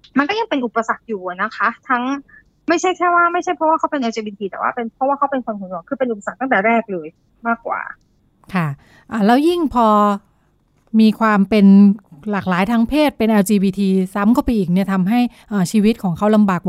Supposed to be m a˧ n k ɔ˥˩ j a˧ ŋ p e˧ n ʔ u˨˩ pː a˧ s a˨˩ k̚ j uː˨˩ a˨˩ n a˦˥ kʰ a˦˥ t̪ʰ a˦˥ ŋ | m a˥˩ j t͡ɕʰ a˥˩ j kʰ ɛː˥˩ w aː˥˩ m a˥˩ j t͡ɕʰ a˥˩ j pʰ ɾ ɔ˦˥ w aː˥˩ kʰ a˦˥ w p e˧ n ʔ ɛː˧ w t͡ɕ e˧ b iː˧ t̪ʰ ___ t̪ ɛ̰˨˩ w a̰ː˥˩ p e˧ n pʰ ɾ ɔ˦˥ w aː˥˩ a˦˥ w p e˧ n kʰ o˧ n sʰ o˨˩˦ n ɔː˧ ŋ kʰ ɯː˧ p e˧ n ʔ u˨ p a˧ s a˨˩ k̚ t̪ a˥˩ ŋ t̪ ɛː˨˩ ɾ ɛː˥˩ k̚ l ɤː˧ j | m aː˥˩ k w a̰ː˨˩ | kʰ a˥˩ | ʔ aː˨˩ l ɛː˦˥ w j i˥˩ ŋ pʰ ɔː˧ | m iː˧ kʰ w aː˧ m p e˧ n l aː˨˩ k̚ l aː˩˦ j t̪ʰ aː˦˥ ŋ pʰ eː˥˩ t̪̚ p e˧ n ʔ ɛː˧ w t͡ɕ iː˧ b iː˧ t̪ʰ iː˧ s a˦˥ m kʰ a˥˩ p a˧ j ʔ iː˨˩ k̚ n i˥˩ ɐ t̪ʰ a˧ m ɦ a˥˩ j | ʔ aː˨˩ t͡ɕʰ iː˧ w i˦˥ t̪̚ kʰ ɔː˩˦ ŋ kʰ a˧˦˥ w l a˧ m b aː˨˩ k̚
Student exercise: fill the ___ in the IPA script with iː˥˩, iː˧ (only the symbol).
iː˧